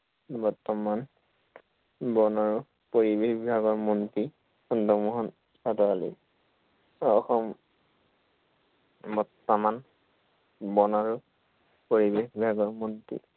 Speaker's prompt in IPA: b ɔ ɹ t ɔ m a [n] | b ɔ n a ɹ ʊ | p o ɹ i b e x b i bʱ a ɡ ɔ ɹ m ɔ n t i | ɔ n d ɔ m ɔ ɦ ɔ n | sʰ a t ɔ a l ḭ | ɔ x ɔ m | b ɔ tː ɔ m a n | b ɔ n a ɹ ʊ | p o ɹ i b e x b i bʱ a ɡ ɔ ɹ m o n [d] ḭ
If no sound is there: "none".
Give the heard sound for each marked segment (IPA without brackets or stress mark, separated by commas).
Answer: n, t